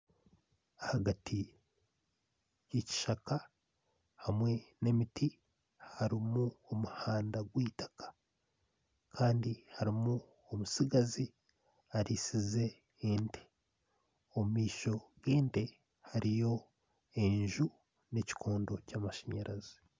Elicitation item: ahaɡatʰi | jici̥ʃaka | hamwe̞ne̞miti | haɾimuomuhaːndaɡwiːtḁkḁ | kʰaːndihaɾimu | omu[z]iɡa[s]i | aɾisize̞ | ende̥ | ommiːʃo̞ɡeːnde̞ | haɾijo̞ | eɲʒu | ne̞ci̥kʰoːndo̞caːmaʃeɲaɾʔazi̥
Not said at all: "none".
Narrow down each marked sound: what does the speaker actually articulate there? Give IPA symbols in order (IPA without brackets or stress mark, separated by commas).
s, z